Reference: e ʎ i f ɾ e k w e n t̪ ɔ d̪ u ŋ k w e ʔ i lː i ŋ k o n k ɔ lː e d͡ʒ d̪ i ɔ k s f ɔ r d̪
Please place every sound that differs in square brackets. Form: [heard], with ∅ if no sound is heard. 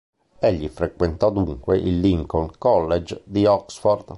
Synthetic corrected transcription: e [ʎː] i f ɾ e k w e n t̪ ɔ d̪ u ŋ k w e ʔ i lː i ŋ k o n k ɔ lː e d͡ʒ d̪ i ɔ k s f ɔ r d̪

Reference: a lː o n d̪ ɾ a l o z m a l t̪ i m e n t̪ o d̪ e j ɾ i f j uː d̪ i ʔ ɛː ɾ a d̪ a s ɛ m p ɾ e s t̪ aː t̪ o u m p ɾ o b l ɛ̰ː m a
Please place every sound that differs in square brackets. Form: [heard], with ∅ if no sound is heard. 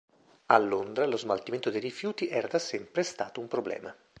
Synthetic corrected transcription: a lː o n d̪ ɾ a l o z m a l t̪ i m e n t̪ o d̪ e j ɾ i f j uː [t̪] i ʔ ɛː ɾ a d̪ a s ɛ m p ɾ e s t̪ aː t̪ o u m p ɾ o b l ɛ̰ː m a

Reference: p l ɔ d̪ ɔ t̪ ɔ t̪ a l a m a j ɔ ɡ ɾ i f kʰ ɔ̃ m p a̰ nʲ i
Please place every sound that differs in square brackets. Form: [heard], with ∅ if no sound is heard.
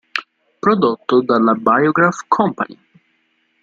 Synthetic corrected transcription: p [ɾ] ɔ d̪ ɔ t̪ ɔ [d̪] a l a [b] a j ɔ ɡ ɾ [a] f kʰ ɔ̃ m p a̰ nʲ i

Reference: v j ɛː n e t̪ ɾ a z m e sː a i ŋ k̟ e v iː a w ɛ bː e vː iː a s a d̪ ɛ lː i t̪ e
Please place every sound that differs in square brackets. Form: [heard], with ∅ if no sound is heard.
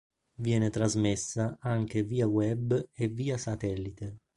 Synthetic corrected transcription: v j ɛː n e t̪ ɾ a z m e sː a [a] ŋ k̟ e v iː a w ɛ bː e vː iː a s a [t̪] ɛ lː i t̪ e

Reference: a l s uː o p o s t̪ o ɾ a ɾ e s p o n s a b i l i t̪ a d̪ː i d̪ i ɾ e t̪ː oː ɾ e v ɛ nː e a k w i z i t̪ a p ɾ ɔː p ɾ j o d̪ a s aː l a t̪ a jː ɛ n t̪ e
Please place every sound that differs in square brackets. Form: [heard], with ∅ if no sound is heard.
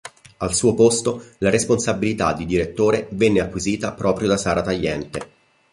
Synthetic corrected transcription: a l s uː o p o s t̪ o [l] a ɾ e s p o n s a b i l i t̪ a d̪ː i d̪ i ɾ e t̪ː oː ɾ e v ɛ nː e a k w i z [iː] t̪ a p ɾ ɔː p ɾ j o d̪ a s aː [ɾ] a t̪ a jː ɛ n t̪ e

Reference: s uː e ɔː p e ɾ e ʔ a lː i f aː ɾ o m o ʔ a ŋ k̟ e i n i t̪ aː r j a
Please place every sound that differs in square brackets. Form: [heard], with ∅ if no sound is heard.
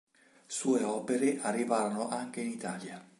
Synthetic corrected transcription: s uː e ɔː p e ɾ e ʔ a [rː] i [v] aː ɾ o [n] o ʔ a ŋ k̟ e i n i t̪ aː [l] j a

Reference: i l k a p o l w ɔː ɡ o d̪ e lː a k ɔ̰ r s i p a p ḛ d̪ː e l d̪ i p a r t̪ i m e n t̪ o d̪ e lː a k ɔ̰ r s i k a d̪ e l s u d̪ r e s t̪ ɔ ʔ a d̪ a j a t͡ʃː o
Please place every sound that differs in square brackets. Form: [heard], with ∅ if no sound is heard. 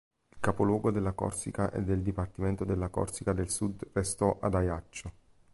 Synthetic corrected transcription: i l k a p o l w ɔː ɡ o d̪ e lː a k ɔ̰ r s i [k] a [ʔ] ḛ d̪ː e l d̪ i p a r t̪ i m e n t̪ o d̪ e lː a k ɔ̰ r s i k a d̪ e l s u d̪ r e s t̪ ɔ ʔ a d̪ a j a t͡ʃː o

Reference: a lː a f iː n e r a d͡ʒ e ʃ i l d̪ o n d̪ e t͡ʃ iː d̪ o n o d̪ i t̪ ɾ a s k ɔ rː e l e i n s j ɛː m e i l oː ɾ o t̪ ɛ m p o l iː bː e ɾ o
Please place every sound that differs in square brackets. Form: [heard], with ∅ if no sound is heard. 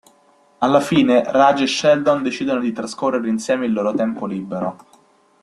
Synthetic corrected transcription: a lː a f iː n e r a d͡ʒ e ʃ [ɛ] l d̪ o n d̪ e t͡ʃ iː d̪ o n o d̪ i t̪ ɾ a s k [o] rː e [ɾ] e i n s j ɛː m e i [lː] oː ɾ o t̪ ɛ m p o l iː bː e ɾ o

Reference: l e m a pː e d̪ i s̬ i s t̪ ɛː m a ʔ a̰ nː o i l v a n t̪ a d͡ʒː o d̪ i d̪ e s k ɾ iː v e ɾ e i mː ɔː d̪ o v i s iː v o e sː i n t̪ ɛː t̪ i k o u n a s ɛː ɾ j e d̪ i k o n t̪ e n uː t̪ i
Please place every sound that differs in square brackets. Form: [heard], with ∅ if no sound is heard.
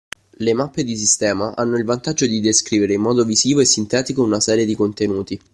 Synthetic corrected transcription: l e m a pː e d̪ i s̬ i s t̪ ɛː m a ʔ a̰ nː o i l v a n t̪ a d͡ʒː o d̪ i d̪ e s k ɾ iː v e ɾ e i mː ɔː d̪ o v i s iː v o e sː i n t̪ ɛː t̪ i k o u n a s ɛː ɾ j e d̪ i k o n t̪ e n uː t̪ i

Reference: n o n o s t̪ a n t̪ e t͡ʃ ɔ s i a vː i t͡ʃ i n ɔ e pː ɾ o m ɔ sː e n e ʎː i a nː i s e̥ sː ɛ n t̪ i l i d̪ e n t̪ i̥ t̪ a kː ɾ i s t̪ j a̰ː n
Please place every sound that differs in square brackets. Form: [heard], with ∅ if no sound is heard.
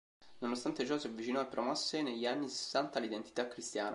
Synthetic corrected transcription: n o n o s t̪ a n t̪ e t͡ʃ ɔ s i a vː i t͡ʃ i n ɔ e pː ɾ o m ɔ sː e n e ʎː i a nː i s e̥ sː [a] n t̪ [a] l i d̪ e n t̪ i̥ t̪ a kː ɾ i s t̪ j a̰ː n

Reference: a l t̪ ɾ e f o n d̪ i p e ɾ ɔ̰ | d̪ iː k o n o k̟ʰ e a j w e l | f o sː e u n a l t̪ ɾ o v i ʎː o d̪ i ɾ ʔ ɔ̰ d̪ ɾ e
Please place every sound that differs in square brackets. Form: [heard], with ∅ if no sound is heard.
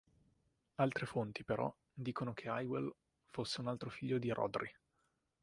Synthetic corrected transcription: a l t̪ ɾ e f o n [t̪] i p e ɾ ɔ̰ | d̪ iː k o n o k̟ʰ e a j w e l | f o sː e u n a l t̪ ɾ o [f] i ʎː o d̪ i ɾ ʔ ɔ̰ d̪ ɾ [i]

